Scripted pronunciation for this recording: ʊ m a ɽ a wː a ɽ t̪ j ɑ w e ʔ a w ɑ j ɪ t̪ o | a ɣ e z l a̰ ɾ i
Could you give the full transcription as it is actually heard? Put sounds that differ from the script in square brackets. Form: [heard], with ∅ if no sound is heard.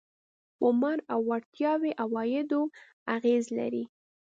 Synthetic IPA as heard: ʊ m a [ɾ] a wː a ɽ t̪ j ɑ w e ʔ a w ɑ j ɪ [d̪] o | a ɣ e z l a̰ ɾ i